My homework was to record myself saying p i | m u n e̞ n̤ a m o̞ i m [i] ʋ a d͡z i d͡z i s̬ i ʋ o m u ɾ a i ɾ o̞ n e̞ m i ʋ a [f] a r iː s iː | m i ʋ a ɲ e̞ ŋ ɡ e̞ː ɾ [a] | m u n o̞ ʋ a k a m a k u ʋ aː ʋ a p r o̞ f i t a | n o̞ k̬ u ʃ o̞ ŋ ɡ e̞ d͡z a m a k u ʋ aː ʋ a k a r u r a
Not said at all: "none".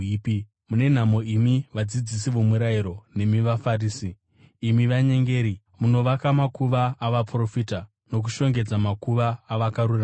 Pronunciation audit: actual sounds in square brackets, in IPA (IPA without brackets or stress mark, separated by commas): i, f, i